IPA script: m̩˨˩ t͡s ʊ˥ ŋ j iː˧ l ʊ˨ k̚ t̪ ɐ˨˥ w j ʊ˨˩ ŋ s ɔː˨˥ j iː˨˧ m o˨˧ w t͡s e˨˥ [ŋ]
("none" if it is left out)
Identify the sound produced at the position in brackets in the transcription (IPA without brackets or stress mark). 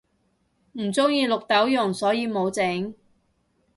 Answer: ŋ